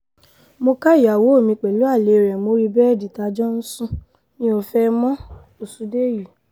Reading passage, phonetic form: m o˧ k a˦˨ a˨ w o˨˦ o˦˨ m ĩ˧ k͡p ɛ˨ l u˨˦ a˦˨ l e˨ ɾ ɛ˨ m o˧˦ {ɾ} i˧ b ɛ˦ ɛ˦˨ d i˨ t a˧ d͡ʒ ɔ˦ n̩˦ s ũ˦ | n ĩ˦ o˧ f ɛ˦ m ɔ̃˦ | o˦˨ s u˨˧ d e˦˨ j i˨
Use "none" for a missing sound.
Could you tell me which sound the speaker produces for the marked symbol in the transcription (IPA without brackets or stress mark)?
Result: ɾ